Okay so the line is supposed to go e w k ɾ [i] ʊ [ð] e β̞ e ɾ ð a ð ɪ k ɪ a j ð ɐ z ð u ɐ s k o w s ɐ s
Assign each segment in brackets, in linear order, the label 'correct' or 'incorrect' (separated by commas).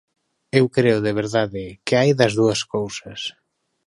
incorrect, correct